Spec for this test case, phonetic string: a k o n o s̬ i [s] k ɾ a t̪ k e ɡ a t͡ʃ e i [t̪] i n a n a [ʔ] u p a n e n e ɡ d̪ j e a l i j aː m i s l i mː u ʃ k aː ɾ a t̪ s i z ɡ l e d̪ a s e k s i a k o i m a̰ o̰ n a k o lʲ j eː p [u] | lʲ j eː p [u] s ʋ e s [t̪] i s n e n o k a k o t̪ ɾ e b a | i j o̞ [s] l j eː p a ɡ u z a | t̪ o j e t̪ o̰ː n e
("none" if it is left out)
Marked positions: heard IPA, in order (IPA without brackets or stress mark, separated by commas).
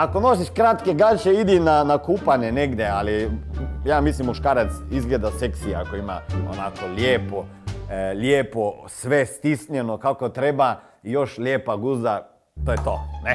ʃ, d̪, k, o, o, t̪, ʃ